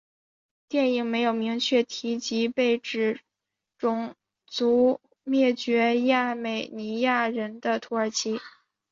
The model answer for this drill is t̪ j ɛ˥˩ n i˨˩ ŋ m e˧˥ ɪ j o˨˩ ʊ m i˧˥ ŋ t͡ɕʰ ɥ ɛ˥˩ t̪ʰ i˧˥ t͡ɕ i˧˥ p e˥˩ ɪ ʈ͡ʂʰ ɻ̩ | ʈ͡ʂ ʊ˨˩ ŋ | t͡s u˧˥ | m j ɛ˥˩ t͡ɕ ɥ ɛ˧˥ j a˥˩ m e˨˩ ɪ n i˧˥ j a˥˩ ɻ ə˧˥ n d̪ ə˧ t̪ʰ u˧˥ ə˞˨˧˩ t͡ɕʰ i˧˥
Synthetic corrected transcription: t̪ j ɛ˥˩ n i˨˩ ŋ m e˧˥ ɪ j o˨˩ ʊ m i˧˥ ŋ t͡ɕʰ ɥ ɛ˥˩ t̪ʰ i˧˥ t͡ɕ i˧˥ p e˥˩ ɪ ʈ͡ʂ ɻ̩ | ʈ͡ʂ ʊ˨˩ ŋ | t͡s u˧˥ | m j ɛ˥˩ t͡ɕ ɥ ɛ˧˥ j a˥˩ m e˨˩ ɪ n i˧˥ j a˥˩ ɻ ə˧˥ n d̪ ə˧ t̪ʰ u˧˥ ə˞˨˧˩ t͡ɕʰ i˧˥